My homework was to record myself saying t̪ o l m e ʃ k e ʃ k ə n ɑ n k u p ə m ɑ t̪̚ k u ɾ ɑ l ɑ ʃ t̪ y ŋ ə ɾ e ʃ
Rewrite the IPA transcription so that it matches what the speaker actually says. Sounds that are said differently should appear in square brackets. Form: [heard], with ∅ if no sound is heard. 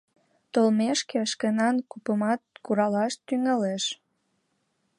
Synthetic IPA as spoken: t̪ o l m e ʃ k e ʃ k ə n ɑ n k u p ə m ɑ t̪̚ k u ɾ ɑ l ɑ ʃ t̪ y ŋ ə [l] e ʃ